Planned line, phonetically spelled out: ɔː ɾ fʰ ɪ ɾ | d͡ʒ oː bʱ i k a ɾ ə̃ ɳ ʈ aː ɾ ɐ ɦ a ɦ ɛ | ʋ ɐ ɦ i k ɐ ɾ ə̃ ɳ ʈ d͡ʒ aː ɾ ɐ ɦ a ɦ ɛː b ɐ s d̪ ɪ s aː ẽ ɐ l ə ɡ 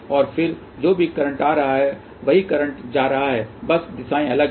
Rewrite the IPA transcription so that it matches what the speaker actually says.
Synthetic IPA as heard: ɔː ɾ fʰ ɪ ɾ | d͡ʒ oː bʱ i k ɐ ɾ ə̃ ɳ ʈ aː ɾ ɐ ɦ a ɦ ɛ | ʋ ɐ ɦ i k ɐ ɾ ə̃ ɳ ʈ d͡ʒ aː ɾ ɐ ɦ a ɦ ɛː b ɐ s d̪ ɪ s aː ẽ ɐ l ə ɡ